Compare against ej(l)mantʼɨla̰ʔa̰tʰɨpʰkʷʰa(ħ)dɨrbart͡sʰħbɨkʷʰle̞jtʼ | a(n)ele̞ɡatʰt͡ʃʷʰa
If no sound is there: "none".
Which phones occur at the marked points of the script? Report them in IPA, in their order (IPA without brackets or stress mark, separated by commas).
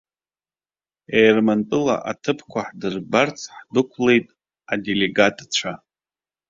r, ħ, d